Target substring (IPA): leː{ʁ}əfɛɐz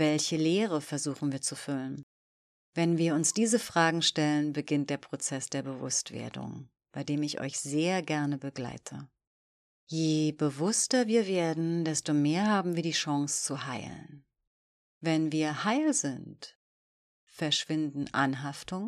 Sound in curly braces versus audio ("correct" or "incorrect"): correct